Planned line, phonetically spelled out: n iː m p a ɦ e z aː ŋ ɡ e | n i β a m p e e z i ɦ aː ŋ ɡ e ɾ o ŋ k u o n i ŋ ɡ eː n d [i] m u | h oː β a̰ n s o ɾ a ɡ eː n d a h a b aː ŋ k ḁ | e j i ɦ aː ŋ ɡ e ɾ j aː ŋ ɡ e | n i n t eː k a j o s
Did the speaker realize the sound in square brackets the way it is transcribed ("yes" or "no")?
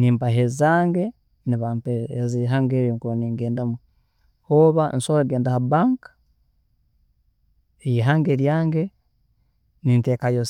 no